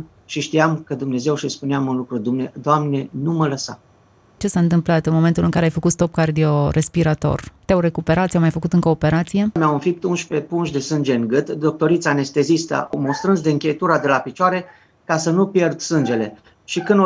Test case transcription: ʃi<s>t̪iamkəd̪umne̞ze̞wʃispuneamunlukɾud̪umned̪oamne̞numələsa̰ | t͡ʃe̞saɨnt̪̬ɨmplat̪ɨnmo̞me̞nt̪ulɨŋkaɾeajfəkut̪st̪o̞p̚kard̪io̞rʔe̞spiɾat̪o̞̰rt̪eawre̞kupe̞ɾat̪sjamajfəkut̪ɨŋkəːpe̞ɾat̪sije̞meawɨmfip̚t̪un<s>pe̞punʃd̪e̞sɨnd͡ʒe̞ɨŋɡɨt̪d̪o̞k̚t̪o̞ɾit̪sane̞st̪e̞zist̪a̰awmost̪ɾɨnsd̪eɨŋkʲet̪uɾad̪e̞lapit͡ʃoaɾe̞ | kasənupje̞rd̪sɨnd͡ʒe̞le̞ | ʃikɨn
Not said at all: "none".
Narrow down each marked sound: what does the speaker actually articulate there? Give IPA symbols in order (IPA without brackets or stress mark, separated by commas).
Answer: ʃ, ʃ